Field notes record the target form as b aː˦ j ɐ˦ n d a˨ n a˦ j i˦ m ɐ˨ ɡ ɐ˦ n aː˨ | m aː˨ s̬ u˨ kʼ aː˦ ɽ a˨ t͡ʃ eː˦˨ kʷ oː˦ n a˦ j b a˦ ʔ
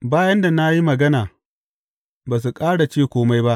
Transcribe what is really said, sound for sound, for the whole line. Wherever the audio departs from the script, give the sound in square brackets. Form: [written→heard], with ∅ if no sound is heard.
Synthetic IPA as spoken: b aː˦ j ɐ˦ n d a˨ n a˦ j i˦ m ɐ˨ ɡ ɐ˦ n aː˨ | [m→b] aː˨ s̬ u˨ kʼ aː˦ ɽ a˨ t͡ʃ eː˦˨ kʷ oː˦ [n→m] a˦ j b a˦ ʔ